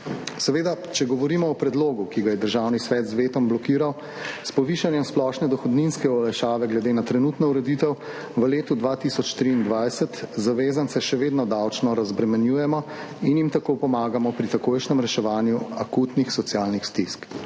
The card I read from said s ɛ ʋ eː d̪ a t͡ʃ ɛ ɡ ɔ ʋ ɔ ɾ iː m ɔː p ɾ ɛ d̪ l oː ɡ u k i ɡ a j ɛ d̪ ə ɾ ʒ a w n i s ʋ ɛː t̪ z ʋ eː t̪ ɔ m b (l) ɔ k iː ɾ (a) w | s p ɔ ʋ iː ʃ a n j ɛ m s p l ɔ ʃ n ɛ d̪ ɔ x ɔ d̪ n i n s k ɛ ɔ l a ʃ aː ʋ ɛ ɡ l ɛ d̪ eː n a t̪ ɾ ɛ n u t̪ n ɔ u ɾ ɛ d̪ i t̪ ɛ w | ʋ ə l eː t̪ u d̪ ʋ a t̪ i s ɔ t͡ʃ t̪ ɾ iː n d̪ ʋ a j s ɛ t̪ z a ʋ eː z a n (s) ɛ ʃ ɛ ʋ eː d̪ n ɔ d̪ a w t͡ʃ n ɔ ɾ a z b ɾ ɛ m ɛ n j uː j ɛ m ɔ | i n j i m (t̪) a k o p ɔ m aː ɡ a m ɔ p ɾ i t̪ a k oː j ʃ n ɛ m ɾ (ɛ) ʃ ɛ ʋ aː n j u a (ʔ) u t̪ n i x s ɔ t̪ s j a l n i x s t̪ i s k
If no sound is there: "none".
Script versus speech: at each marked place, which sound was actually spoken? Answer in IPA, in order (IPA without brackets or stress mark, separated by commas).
l, a, s, t̪, ɛ, k